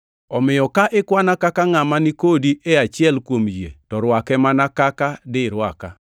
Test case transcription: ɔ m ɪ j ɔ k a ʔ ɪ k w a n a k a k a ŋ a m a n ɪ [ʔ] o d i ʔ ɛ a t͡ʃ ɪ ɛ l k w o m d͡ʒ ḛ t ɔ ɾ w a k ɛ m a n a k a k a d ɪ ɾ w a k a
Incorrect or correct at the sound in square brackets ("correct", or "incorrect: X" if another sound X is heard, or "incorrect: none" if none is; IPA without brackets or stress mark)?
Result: incorrect: k